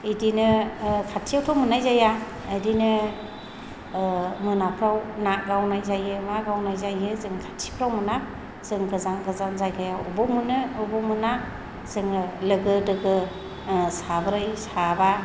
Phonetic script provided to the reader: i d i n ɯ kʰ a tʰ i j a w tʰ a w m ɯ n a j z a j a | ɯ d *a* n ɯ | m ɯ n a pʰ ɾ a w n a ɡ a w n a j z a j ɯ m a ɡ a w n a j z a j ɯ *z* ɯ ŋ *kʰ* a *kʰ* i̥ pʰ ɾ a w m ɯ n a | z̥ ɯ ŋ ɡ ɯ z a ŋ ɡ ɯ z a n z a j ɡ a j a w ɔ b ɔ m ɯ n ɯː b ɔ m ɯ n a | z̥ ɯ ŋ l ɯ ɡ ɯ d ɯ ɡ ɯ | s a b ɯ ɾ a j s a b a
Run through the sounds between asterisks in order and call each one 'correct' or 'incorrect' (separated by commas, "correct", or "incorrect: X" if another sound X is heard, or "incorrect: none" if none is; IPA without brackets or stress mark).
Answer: incorrect: i, correct, correct, incorrect: tʰ